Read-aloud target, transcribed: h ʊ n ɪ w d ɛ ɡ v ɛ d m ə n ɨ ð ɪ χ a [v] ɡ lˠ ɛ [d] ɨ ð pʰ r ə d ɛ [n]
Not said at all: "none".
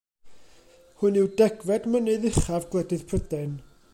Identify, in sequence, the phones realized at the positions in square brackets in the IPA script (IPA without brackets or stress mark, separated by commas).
v, d, n